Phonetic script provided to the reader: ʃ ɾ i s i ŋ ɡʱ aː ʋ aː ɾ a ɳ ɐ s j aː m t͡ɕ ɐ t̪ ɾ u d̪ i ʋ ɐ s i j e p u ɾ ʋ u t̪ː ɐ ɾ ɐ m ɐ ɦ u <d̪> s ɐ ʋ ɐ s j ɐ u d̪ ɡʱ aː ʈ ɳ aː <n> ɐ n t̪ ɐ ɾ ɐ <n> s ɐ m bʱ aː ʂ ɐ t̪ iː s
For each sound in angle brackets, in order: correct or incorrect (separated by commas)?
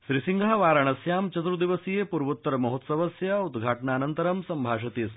incorrect, correct, incorrect